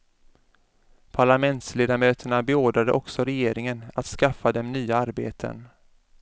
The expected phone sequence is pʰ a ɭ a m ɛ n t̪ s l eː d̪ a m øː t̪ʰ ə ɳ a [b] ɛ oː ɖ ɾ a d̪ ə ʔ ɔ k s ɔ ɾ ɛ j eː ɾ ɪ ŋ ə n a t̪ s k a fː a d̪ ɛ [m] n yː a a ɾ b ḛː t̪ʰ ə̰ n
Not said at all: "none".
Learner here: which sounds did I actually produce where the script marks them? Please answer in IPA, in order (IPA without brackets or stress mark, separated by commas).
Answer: b, m